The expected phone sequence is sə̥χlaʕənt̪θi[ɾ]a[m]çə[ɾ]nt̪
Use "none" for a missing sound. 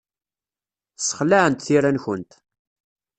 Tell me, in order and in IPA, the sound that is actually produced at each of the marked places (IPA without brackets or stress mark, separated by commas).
ɾ, n, none